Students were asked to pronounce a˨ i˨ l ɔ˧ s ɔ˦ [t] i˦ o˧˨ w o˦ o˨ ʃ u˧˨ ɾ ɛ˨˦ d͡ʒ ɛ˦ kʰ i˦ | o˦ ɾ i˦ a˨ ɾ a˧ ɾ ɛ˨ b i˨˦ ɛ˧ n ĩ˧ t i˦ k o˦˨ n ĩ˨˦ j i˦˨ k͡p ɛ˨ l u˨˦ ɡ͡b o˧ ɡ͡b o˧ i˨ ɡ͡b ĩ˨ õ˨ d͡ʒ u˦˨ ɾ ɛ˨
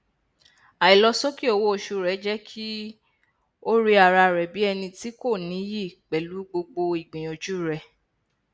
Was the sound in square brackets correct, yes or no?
no